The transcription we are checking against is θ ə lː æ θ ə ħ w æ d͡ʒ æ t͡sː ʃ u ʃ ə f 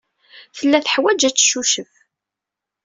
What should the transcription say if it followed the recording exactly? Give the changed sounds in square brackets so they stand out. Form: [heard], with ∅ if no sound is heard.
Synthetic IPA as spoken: θ ə lː æ θ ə ħ w æ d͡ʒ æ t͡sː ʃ u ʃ ə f